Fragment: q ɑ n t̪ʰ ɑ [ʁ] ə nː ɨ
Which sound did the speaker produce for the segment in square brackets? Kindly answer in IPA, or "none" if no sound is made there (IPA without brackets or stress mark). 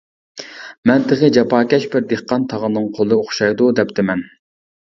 ʁ